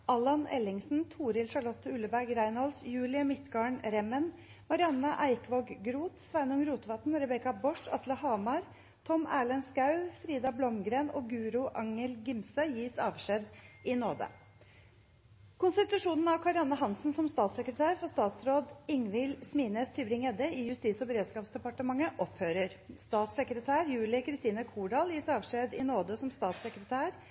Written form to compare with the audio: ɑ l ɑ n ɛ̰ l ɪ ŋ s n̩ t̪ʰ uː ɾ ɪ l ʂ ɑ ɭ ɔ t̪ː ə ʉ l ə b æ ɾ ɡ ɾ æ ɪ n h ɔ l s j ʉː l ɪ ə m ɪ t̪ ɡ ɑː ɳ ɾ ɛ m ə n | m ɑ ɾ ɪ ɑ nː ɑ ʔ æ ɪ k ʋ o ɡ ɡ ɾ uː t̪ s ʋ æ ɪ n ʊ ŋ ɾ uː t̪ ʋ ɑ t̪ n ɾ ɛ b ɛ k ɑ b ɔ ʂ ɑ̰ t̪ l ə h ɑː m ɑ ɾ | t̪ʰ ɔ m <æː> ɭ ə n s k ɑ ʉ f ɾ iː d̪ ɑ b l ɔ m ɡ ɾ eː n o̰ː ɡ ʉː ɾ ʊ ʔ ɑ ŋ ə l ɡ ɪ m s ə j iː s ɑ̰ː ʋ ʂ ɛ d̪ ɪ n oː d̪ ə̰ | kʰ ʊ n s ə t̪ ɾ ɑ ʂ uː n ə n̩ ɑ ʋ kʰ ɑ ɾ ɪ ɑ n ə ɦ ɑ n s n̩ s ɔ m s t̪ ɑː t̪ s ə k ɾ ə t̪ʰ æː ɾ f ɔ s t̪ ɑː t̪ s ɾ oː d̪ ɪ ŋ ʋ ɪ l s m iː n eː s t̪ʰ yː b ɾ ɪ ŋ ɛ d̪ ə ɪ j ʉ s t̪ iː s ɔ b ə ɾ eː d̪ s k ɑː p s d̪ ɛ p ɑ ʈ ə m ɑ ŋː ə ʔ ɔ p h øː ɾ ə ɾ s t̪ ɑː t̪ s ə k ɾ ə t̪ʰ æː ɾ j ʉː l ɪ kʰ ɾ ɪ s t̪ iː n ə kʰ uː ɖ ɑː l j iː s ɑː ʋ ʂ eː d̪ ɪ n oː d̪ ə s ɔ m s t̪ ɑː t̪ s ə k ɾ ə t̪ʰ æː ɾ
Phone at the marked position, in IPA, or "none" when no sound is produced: æː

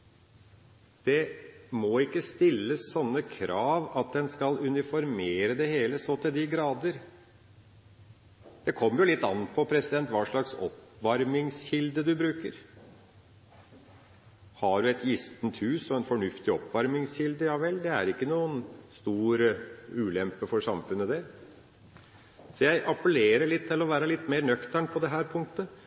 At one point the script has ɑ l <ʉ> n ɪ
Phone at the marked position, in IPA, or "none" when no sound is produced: ʉ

